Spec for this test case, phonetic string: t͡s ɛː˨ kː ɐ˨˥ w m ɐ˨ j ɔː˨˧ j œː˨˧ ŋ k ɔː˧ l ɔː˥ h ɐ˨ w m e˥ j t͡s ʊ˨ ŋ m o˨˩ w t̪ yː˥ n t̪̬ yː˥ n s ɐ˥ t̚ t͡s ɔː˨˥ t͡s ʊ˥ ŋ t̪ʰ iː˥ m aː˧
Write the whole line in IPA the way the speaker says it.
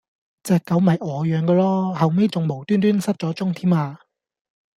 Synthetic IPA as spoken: t͡s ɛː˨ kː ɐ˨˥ w m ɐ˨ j ɔː˨˧ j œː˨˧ ŋ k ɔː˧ l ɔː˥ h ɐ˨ w m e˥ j t͡s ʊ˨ ŋ m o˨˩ w t̪ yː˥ n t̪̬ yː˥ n s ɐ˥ t̚ t͡s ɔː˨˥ t͡s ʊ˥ ŋ t̪ʰ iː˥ m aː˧